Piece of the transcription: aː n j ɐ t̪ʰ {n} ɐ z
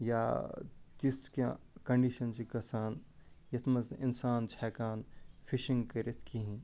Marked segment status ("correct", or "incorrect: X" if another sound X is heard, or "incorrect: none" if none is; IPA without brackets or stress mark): incorrect: m